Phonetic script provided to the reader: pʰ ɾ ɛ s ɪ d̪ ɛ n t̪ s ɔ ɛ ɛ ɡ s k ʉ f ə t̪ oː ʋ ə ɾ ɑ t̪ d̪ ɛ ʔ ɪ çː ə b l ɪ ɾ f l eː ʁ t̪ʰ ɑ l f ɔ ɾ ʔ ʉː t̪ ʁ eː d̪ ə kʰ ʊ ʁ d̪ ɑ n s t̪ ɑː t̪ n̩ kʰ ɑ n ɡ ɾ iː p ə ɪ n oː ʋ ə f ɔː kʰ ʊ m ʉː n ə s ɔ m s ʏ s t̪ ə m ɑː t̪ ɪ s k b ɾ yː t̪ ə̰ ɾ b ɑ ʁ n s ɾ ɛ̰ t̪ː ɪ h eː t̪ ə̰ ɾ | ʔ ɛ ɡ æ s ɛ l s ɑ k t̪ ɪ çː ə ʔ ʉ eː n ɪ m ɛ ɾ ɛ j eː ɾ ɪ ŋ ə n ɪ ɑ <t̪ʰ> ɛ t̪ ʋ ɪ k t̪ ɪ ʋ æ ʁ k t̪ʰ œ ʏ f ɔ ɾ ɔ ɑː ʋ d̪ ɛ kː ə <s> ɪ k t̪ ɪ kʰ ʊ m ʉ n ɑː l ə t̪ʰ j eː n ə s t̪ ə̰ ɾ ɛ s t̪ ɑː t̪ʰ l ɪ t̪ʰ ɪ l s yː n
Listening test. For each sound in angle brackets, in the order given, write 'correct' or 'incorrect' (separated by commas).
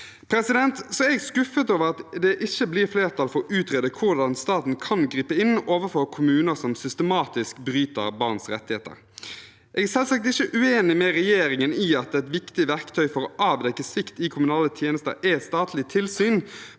incorrect, correct